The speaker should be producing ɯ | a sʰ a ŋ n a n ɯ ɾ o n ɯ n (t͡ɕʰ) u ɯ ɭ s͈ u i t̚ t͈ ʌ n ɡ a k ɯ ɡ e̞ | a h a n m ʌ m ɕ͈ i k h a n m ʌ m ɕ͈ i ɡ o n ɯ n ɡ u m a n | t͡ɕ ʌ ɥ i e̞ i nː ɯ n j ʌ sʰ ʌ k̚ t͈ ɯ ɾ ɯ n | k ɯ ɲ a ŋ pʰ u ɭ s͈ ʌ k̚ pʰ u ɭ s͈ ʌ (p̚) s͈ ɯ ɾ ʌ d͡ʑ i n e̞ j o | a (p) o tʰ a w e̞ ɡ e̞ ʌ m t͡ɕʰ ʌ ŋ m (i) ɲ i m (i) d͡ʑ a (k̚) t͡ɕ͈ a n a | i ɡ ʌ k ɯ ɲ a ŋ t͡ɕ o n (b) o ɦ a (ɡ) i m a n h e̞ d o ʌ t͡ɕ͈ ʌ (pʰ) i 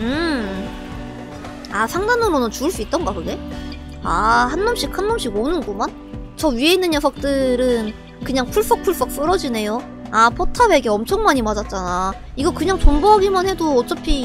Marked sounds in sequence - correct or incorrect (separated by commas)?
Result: incorrect, incorrect, incorrect, incorrect, incorrect, incorrect, correct, correct, correct